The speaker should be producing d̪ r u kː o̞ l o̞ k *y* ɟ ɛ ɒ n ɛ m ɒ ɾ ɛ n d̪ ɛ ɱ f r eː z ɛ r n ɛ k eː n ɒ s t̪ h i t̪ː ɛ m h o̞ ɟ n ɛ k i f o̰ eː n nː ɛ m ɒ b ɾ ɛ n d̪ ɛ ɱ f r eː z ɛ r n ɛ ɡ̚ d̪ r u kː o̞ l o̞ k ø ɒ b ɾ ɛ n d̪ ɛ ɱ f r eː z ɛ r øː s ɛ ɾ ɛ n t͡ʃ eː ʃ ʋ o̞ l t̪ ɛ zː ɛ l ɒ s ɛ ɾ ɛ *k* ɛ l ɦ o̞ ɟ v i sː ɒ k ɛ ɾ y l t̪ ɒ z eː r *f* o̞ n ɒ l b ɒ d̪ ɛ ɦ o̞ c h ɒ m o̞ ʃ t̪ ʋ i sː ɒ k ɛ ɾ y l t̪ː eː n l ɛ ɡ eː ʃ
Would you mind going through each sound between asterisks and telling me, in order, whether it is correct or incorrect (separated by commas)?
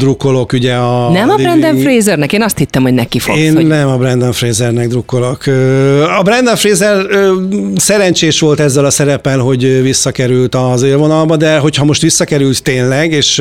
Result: correct, incorrect, incorrect